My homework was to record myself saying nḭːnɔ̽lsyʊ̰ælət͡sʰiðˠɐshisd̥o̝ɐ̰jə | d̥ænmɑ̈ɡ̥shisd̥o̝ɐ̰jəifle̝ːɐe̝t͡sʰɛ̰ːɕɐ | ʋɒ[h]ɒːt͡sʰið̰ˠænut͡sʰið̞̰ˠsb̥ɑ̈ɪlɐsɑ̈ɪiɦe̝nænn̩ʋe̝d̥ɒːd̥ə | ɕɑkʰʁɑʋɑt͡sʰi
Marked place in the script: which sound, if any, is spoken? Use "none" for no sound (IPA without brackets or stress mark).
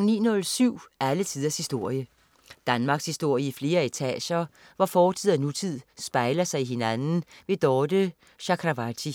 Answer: f